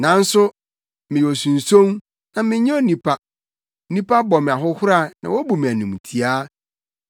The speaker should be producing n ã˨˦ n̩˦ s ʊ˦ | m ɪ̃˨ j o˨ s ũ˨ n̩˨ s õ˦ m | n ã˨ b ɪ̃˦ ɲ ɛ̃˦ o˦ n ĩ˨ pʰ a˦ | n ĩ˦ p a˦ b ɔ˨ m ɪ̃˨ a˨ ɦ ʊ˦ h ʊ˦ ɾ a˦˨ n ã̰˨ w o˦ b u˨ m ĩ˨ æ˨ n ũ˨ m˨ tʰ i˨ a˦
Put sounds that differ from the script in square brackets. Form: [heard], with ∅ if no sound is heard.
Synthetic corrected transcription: n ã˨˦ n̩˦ s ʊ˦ | m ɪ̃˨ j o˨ s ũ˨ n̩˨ s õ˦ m | n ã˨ [m] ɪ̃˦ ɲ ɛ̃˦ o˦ n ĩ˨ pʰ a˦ | n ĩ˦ p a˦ b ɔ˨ m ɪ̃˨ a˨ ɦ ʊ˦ h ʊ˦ ɾ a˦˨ n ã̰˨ w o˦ b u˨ m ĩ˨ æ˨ n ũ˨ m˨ tʰ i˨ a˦

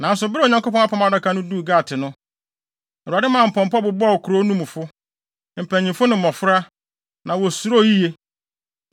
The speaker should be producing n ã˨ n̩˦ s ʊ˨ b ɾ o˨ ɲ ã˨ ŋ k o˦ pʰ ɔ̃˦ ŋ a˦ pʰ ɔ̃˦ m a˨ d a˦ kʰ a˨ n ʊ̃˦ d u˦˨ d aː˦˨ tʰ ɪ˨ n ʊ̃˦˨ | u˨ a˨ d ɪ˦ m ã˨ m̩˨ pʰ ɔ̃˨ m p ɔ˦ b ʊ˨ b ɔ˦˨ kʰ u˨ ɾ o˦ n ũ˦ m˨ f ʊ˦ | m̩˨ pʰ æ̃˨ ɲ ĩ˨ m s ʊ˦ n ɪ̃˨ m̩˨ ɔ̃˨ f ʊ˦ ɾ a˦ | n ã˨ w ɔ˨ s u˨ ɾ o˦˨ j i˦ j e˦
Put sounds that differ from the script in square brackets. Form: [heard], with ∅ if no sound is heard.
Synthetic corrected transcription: n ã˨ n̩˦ s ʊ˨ b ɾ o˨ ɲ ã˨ ŋ k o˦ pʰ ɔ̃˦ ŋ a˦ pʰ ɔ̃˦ m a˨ d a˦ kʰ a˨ n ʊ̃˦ d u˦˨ [ɡ] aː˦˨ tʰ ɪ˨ n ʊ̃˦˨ | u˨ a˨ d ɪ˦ m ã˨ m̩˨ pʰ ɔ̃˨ m p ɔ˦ b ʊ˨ b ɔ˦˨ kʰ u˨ ɾ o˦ n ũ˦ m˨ f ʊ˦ | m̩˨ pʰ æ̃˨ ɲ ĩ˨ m [f] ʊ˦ n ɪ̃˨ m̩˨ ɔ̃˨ f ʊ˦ ɾ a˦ | n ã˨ w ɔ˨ s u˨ ɾ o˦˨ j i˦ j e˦

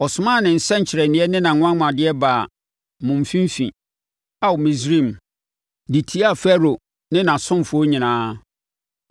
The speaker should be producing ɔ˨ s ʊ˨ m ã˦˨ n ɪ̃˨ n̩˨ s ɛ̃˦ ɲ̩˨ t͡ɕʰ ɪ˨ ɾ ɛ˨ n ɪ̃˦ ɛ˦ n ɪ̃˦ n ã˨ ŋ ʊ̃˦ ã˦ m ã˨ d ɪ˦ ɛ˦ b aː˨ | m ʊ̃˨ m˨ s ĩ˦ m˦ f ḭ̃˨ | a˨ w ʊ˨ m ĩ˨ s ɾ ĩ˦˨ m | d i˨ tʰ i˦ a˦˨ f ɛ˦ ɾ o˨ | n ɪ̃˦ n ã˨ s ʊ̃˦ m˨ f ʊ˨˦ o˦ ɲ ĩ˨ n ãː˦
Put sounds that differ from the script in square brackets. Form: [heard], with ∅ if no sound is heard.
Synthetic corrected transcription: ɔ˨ s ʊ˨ m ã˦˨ n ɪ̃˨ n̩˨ s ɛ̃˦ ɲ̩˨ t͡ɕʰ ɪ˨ ɾ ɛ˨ n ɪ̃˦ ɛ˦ n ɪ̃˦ n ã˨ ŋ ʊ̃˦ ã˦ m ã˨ d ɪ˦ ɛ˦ b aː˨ | m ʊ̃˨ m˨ [f] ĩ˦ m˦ f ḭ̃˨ | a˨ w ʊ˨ m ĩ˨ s ɾ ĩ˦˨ m | d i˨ tʰ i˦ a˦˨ f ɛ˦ ɾ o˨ | n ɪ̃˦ n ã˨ s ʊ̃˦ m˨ f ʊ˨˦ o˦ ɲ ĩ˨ n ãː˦

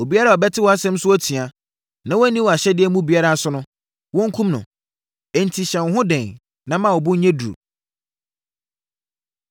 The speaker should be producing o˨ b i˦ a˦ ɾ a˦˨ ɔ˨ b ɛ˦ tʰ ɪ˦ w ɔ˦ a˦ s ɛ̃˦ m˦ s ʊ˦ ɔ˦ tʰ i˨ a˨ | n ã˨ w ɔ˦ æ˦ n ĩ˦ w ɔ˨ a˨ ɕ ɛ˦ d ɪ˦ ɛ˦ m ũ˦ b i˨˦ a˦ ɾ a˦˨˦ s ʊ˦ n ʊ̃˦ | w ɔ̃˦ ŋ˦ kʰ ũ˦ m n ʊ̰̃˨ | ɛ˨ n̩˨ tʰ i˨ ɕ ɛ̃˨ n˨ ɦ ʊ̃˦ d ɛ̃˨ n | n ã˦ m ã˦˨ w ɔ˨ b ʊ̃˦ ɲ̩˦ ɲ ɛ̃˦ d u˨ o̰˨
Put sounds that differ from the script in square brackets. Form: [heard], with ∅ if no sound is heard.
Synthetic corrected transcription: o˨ b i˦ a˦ ɾ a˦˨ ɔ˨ b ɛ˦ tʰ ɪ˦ w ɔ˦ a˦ s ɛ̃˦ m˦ s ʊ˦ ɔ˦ tʰ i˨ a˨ | n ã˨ w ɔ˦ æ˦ n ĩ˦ w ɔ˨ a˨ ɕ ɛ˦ d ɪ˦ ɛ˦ m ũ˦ b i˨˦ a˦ ɾ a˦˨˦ s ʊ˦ n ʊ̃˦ | w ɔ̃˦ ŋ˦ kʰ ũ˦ m n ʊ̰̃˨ | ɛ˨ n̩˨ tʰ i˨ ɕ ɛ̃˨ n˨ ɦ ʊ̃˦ d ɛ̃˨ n | n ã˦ m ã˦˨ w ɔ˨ b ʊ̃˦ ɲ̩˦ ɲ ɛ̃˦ d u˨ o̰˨

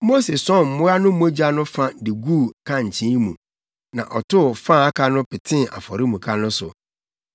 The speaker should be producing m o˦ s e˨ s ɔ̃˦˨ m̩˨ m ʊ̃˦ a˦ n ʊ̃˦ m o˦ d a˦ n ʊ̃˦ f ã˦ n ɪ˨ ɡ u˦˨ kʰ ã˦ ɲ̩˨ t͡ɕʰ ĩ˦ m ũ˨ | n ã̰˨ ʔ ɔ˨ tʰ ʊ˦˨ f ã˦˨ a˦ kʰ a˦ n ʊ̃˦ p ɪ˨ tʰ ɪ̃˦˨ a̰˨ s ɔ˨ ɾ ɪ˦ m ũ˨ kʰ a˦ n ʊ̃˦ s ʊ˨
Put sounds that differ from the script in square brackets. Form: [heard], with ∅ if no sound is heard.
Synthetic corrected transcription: m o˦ s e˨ s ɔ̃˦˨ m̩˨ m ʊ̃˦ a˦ n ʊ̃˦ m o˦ [d͡ʑ] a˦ n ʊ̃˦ f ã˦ [d] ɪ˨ ɡ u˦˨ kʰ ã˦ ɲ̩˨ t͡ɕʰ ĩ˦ m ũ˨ | n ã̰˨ ʔ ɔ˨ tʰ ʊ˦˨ f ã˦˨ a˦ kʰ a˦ n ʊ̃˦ p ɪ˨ tʰ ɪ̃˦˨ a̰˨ [f] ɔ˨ ɾ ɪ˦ m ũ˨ kʰ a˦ n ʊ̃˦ s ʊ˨

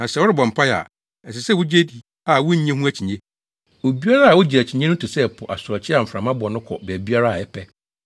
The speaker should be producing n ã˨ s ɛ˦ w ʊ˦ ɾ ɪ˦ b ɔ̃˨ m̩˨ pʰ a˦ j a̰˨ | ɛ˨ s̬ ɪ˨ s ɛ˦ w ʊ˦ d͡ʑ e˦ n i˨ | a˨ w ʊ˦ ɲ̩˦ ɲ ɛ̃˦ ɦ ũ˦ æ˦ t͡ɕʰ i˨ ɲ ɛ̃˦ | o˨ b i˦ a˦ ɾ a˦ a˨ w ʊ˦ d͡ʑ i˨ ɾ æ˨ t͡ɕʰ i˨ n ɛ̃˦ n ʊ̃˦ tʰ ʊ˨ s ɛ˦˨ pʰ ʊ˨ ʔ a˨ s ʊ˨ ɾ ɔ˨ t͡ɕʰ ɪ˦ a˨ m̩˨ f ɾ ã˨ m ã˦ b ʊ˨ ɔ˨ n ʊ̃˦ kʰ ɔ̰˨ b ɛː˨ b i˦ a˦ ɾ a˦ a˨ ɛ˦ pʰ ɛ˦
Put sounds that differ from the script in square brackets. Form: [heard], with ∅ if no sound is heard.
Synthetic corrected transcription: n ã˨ s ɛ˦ w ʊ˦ ɾ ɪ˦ b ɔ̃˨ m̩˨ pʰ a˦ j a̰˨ | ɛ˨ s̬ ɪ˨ s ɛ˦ w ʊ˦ d͡ʑ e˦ [d] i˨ | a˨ w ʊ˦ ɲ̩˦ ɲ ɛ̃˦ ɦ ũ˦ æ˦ t͡ɕʰ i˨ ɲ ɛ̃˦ | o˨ b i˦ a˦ ɾ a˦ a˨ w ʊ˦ d͡ʑ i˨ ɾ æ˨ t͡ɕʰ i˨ [ɲ] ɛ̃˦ n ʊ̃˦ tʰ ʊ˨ s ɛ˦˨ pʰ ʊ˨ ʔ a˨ s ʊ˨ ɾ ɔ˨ t͡ɕʰ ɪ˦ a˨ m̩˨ f ɾ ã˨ m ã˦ b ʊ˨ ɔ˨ n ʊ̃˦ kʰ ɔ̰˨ b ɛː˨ b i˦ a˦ ɾ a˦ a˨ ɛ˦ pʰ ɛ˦

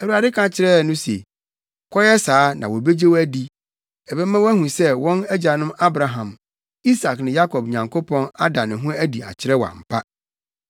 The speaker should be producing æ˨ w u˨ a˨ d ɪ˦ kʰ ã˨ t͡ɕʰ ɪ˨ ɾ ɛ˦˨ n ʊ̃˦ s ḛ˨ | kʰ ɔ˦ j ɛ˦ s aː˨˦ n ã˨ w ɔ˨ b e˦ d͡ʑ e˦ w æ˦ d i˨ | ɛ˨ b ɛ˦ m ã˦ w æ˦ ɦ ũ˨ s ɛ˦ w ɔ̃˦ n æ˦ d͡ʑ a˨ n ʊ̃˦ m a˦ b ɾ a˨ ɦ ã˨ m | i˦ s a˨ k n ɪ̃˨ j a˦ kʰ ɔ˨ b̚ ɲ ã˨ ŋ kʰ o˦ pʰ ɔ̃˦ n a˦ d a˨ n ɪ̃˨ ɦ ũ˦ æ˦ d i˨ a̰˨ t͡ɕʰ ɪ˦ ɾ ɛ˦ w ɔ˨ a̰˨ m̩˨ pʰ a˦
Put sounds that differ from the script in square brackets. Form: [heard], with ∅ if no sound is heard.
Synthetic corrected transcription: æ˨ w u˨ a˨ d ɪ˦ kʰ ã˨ t͡ɕʰ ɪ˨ ɾ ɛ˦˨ n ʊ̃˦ s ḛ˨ | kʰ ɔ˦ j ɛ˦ s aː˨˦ n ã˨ w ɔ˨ b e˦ d͡ʑ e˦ w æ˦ d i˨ | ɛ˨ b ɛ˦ m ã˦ w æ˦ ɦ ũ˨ s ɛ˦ w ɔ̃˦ n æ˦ d͡ʑ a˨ n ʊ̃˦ m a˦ b ɾ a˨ ɦ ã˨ m | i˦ s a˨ k n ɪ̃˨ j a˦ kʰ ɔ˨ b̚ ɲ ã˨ ŋ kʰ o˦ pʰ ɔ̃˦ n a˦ d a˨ n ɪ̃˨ ɦ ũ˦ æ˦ d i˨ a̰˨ t͡ɕʰ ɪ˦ ɾ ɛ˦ w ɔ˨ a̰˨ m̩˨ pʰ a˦

